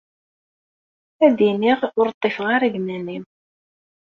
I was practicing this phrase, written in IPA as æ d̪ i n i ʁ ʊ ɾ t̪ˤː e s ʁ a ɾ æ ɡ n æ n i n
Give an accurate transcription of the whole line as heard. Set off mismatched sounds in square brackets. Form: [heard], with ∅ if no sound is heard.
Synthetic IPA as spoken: æ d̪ i n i ʁ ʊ ɾ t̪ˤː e [f] ʁ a ɾ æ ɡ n æ n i [m]

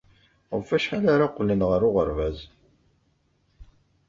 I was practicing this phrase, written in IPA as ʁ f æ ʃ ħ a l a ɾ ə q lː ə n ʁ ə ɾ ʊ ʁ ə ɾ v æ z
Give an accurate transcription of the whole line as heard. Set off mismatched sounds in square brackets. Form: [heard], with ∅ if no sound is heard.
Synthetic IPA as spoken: ʁ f æ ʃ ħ a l a ɾ [a] q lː ə n ʁ ə ɾ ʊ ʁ ə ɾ v æ z

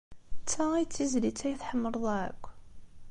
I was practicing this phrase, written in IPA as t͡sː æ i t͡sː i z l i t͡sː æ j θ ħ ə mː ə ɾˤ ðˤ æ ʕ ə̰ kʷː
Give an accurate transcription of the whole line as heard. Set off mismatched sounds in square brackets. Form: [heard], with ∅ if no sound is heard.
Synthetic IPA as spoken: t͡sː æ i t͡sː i z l i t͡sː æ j θ ħ ə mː ə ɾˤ ðˤ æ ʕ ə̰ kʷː

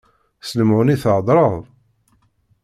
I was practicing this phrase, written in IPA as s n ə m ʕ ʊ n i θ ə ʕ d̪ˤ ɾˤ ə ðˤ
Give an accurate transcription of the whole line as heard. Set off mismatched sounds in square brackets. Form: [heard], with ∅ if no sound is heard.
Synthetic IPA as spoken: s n ə m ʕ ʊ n i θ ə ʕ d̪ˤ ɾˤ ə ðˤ

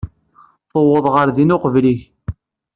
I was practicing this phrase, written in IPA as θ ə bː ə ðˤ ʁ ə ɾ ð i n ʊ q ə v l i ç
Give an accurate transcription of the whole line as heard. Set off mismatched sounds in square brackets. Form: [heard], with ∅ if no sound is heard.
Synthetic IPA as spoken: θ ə [wː] ə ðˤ ʁ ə ɾ ð i n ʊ q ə v l i ç

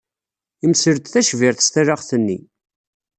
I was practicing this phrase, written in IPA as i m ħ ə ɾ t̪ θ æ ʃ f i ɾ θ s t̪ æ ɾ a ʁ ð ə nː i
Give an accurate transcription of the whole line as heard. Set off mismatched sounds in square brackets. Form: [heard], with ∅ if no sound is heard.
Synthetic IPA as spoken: i m [s] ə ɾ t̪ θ æ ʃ [v] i ɾ θ s t̪ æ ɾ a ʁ [θ] ə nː i

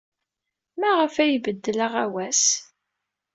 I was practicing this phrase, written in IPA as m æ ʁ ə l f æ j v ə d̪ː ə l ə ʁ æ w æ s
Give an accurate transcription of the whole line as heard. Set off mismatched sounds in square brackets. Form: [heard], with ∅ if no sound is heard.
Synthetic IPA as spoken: m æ ʁ ə [∅] f æ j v ə d̪ː ə l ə ʁ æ w æ s

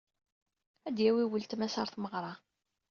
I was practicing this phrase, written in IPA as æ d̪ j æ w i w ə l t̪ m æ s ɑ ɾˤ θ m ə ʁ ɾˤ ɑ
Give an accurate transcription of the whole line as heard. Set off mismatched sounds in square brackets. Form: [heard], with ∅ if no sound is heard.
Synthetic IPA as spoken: æ d̪ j æ w i w ə l t̪ m æ s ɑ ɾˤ θ m ə ʁ ɾˤ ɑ

